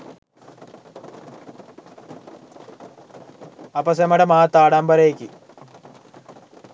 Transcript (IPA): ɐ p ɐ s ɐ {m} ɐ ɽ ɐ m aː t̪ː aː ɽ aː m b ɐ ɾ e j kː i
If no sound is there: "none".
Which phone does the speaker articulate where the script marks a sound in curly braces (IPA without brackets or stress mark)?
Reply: m